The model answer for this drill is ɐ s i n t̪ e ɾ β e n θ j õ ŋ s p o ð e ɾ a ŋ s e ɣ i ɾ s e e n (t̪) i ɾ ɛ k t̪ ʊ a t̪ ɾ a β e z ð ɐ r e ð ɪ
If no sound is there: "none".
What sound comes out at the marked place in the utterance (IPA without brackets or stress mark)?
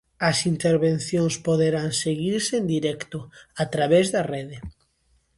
d̪